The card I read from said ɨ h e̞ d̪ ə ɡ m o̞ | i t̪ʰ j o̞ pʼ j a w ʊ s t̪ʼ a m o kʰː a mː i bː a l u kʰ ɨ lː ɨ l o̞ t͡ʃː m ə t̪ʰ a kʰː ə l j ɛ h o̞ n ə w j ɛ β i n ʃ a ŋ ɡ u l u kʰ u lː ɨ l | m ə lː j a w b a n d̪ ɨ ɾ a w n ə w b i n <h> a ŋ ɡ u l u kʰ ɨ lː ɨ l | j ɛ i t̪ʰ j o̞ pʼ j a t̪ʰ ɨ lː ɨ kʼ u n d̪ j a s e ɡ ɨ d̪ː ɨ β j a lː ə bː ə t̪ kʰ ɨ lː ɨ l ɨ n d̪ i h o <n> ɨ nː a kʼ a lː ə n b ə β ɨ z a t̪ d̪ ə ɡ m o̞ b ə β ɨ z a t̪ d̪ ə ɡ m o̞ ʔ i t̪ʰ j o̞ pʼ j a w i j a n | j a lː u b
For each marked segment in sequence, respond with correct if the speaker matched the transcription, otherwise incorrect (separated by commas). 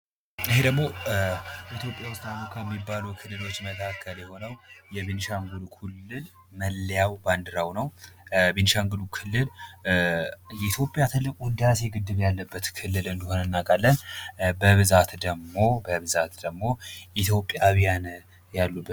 incorrect, correct